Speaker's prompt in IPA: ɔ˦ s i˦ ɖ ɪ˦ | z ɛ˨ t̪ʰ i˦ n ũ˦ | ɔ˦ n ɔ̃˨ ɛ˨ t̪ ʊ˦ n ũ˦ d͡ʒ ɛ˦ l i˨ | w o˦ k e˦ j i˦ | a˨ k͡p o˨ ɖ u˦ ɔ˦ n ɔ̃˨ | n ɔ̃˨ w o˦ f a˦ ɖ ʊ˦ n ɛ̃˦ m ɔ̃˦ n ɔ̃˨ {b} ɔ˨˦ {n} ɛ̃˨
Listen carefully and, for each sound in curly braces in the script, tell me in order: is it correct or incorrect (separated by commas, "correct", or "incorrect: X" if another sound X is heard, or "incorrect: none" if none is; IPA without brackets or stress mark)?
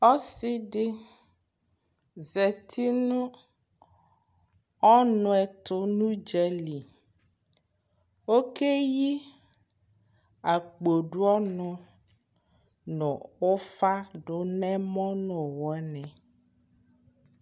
incorrect: w, correct